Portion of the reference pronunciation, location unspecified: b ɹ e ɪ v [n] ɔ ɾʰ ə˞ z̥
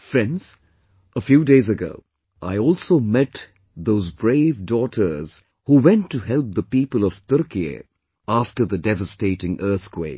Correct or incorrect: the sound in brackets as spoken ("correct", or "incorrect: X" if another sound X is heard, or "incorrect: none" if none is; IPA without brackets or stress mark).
incorrect: d